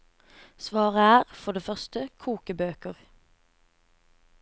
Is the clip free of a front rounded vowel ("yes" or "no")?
no